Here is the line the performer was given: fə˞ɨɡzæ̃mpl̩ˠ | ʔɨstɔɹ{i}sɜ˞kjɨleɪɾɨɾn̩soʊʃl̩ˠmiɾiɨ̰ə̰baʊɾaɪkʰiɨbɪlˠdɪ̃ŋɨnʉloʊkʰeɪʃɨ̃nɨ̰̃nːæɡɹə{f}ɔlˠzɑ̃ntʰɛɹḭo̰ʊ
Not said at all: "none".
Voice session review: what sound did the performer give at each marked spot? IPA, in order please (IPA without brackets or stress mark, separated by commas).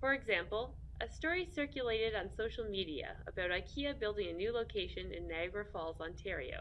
i, f